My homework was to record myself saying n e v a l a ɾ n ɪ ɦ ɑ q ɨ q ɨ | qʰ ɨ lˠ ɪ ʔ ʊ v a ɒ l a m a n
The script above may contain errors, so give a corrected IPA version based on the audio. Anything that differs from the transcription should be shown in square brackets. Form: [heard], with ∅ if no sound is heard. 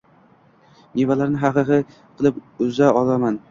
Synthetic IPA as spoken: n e v a l a ɾ n ɪ ɦ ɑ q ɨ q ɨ | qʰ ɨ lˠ ɪ [p] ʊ [z] a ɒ l a m a n

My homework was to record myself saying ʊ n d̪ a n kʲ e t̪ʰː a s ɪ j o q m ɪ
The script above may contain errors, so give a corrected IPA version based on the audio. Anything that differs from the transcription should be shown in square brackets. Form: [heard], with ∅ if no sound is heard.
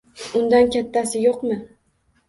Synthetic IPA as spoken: ʊ n d̪ a n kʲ [a] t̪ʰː a s ɪ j o q m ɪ

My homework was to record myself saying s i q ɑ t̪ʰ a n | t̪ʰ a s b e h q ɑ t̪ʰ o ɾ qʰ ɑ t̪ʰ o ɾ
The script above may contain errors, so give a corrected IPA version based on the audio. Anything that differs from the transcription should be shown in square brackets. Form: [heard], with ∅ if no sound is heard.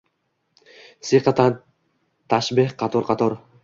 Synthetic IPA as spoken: s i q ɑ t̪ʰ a n | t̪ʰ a [ʃ] b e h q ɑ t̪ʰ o ɾ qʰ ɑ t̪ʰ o ɾ

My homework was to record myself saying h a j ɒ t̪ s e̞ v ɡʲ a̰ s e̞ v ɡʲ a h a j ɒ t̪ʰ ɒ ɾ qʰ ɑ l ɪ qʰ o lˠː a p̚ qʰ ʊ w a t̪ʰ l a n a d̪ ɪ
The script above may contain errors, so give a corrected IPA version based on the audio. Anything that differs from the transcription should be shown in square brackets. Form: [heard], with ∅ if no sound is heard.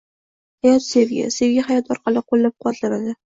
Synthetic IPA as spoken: h a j ɒ t̪ s e̞ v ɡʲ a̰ s e̞ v ɡʲ a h a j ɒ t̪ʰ ɒ ɾ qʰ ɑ l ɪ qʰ o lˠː a p̚ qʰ ʊ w a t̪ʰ l a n a d̪ ɪ

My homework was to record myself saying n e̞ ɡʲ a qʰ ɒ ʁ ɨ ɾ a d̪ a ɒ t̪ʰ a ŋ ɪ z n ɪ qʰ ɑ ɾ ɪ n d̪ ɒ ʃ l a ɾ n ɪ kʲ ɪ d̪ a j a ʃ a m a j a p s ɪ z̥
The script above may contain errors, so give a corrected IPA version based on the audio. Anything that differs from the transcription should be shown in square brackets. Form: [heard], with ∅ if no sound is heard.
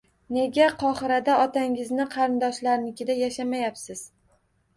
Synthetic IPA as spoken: n e̞ ɡʲ a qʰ ɒ [χ] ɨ ɾ a d̪ a ɒ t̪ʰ a ŋ ɪ z n ɪ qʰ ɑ ɾ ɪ n d̪ ɒ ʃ l a ɾ n ɪ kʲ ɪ d̪ a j a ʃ a m a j a p s ɪ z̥

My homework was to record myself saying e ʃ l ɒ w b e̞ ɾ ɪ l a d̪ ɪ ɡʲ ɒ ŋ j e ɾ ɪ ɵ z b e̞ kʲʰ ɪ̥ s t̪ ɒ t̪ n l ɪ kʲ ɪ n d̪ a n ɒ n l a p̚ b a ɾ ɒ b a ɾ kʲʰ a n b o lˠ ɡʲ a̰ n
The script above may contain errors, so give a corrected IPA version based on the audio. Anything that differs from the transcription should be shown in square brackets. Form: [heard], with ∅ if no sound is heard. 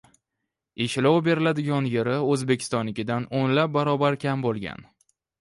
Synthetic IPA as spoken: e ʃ l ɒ w b e̞ ɾ ɪ l a d̪ ɪ ɡʲ ɒ [n] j e ɾ ɪ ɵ z b e̞ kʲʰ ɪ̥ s t̪ ɒ [∅] n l ɪ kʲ ɪ [∅] d̪ a n [o] n l a p̚ b a ɾ ɒ b a ɾ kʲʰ a [m] b o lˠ ɡʲ a̰ n

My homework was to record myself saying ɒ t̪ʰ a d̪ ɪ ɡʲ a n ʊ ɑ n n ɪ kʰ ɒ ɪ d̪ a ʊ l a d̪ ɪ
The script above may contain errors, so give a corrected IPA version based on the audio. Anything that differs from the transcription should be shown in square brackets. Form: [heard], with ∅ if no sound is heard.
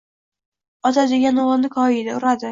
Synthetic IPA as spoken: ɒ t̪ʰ a d̪ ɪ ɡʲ a n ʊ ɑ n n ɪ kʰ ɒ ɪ d̪ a ʊ [ɾ] a d̪ ɪ

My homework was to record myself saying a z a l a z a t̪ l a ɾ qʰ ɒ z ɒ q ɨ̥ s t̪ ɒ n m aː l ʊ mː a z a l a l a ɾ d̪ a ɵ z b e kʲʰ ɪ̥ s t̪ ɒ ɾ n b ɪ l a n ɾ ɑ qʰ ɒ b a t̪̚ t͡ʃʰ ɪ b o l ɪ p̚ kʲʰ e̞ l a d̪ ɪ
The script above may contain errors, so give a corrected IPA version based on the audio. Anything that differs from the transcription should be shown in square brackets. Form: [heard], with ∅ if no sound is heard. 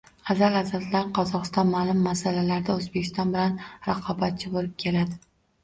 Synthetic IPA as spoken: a z a l a z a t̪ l a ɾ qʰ ɒ z ɒ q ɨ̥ s t̪ ɒ n m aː l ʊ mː a [s] a l a l a ɾ d̪ a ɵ z b e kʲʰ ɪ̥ s t̪ ɒ [∅] n b ɪ l a n ɾ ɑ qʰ ɒ b a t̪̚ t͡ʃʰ ɪ b o l ɪ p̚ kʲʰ e̞ l a d̪ ɪ

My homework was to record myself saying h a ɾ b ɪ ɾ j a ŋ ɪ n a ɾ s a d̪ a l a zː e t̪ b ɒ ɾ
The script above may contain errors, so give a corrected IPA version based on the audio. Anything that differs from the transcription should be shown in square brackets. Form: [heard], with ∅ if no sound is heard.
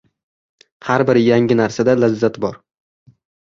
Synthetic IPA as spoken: h a ɾ b ɪ ɾ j a ŋ ɪ n a ɾ s a d̪ a l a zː [a] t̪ b ɒ ɾ

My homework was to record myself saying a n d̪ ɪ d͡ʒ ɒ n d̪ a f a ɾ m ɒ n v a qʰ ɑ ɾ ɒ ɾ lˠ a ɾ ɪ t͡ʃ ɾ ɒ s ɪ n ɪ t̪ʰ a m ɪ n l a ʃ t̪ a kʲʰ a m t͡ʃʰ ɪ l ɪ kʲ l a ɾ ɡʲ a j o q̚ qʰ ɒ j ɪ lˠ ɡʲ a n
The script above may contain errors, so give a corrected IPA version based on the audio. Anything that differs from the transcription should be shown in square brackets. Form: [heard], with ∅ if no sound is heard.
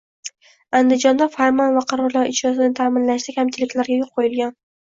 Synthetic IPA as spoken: a n d̪ ɪ d͡ʒ ɒ n d̪ a f a ɾ m ɒ n v a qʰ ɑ ɾ ɒ ɾ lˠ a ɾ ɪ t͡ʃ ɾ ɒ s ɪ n ɪ t̪ʰ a m ɪ n l a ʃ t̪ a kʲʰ a m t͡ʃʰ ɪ l ɪ kʲ l a ɾ ɡʲ a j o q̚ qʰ [o] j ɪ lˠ ɡʲ a n

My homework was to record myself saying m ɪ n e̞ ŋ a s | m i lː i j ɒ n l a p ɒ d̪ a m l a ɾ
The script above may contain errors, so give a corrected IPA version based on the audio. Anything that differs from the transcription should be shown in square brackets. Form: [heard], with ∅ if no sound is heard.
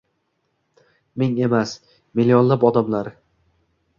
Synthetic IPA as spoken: m ɪ [ŋ] e̞ [m] a s | m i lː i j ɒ n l a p ɒ d̪ a m l a ɾ

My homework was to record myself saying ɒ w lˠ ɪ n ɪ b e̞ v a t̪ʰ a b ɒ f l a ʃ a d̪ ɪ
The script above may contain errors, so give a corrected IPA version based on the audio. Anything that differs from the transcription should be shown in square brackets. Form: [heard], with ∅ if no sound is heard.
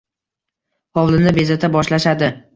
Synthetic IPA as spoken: ɒ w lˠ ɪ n ɪ b e̞ [z] a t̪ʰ a b ɒ [ʃ] l a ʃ a d̪ ɪ

